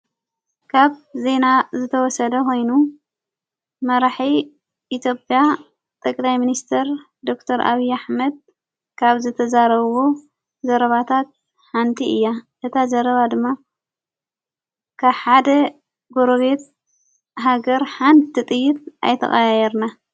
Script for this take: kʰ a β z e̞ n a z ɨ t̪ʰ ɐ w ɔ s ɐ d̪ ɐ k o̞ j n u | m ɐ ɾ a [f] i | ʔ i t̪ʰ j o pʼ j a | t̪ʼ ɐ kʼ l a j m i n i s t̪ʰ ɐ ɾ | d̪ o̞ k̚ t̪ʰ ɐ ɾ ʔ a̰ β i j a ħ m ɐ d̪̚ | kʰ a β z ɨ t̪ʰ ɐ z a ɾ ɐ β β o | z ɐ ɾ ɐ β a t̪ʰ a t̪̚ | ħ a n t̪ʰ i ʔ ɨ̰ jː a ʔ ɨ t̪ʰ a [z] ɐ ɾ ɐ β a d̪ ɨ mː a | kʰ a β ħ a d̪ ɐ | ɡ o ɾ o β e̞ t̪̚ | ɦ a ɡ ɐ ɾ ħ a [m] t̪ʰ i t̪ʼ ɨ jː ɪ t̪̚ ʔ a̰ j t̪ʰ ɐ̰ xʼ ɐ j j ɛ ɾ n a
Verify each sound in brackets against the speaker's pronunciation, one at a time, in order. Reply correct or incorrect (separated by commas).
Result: incorrect, correct, incorrect